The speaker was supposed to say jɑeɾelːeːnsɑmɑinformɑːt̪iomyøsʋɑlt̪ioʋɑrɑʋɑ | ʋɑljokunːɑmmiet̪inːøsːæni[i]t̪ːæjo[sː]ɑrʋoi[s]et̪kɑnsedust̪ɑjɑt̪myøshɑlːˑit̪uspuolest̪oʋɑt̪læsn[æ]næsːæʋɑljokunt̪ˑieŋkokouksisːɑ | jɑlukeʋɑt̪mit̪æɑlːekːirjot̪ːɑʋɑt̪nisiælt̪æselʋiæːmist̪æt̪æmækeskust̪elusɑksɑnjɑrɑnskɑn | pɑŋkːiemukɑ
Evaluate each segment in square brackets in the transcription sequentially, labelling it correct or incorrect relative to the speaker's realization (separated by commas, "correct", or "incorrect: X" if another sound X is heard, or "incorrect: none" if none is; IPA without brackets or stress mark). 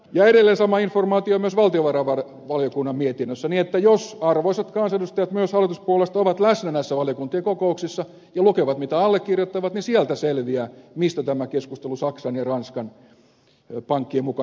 incorrect: e, incorrect: s, correct, correct